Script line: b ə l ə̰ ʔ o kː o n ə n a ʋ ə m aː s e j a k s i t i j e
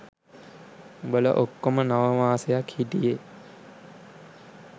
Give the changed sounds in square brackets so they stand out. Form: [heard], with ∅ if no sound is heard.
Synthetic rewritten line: b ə l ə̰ ʔ o kː o [m] ə n a ʋ ə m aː s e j a k [h] i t i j e